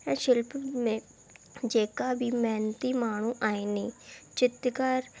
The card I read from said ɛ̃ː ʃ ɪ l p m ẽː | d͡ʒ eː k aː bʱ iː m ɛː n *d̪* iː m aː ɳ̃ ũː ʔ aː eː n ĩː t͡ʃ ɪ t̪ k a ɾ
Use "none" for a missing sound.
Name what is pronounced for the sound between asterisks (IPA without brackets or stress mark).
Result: t̪